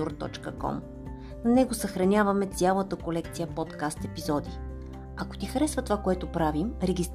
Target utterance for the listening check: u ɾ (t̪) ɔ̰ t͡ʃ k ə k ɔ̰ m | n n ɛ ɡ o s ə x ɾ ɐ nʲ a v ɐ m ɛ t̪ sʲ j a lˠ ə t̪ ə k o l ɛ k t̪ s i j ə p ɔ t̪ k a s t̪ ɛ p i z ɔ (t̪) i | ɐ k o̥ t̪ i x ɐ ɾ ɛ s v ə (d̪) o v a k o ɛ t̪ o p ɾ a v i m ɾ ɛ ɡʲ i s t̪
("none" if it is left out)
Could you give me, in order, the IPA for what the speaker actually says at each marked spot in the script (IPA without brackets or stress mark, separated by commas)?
t̪, d̪, t̪